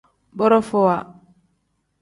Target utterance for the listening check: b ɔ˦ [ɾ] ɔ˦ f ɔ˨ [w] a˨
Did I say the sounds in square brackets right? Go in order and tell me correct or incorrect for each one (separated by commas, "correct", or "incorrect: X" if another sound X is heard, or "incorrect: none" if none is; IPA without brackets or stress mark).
correct, correct